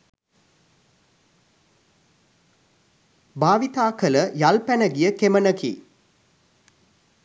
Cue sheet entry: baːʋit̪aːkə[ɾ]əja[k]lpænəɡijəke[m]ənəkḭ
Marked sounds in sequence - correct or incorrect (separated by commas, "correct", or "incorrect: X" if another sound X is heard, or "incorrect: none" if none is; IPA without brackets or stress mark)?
incorrect: l, incorrect: none, correct